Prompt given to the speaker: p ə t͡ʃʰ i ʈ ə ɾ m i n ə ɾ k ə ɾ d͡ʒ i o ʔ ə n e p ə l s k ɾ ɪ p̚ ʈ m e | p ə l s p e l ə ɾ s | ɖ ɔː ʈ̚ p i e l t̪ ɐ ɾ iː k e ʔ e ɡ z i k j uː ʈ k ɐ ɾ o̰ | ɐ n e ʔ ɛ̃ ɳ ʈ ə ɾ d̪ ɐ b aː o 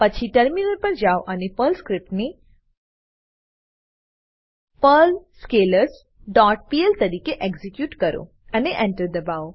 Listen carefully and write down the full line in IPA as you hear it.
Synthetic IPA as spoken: p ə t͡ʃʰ i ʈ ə ɾ m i n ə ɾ p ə ɾ d͡ʒ a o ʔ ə n e p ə l s k ɾ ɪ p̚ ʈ n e | p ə l s k e l ə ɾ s | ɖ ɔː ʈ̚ p i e l t̪ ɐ ɾ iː k e ʔ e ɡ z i k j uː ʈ k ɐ ɾ o̰ | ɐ n e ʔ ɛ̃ ɳ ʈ ə ɾ d̪ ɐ b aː o